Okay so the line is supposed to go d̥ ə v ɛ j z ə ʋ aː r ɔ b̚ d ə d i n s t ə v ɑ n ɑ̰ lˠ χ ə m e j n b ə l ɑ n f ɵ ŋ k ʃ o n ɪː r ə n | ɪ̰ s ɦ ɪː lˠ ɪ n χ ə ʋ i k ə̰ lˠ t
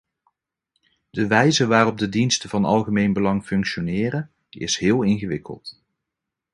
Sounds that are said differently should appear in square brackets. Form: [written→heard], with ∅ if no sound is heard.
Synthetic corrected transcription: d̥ ə [v→ʋ] ɛ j z ə ʋ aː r ɔ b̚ d ə d i n s t ə v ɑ n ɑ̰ lˠ χ ə m e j n b ə l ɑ [n→ŋ] f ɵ ŋ k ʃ o n ɪː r ə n | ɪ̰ s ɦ ɪː lˠ ɪ n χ ə ʋ [i→ɪ] k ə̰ lˠ t